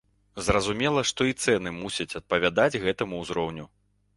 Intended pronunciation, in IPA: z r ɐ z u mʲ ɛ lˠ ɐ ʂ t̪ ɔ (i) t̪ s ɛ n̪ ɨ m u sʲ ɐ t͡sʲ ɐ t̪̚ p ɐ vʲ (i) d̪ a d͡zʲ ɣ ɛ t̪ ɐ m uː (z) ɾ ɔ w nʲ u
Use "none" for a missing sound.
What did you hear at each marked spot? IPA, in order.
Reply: i, a, z

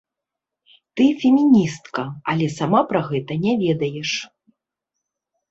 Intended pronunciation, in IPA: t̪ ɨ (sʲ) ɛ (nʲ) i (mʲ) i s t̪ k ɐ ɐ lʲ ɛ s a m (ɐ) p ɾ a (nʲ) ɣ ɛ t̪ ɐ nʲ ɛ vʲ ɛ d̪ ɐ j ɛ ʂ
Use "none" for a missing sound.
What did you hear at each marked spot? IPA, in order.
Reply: fʲ, mʲ, nʲ, a, none

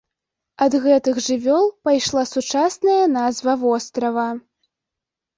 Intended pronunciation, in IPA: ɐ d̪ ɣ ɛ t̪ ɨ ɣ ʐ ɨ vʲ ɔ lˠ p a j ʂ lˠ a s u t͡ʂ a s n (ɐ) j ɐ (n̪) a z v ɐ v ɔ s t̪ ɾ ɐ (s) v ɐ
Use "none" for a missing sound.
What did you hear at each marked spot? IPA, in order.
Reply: ɐ, n̪, none

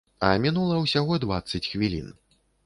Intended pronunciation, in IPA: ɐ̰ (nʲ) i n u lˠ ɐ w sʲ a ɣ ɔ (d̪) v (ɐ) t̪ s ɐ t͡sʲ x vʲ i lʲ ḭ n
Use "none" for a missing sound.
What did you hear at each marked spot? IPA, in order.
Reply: mʲ, d̪, a

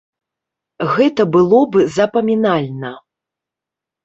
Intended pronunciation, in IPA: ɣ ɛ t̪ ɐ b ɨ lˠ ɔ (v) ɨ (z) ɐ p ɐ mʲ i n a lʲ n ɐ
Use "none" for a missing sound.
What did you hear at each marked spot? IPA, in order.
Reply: b, z

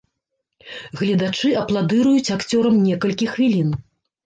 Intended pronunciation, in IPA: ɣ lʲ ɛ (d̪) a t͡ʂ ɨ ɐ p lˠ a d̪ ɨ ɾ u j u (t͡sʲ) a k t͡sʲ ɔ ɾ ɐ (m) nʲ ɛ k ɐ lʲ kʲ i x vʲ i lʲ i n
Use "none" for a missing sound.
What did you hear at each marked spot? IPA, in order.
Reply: d̪, t͡sʲ, m

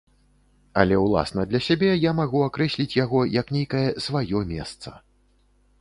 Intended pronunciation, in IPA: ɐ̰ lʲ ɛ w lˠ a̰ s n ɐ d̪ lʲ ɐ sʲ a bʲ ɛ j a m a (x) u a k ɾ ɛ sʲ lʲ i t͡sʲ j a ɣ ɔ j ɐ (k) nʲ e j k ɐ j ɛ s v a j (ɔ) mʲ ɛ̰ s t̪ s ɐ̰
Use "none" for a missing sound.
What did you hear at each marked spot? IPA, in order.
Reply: ɣ, k, ɔ

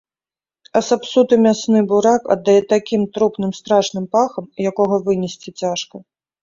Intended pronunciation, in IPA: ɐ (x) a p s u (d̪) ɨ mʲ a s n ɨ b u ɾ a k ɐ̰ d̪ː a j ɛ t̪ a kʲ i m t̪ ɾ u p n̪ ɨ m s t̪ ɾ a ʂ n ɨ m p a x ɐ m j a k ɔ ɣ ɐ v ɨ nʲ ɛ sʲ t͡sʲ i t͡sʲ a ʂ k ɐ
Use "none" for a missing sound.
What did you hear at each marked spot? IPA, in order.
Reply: s, t̪

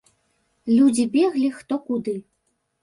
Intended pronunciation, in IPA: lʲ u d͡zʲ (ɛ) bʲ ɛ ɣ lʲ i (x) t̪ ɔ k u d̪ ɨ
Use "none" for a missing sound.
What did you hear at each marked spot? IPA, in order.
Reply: i, x

